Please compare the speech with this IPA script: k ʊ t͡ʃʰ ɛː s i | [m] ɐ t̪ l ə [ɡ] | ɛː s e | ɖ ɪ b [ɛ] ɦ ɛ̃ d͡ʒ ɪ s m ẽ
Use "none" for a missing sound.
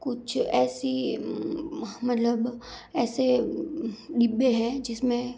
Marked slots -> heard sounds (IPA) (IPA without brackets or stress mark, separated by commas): m, b, e